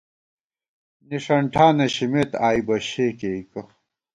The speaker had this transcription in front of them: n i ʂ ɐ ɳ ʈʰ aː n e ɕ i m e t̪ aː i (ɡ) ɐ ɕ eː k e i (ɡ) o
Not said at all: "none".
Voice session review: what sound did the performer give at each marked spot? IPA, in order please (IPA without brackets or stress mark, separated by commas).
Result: b, k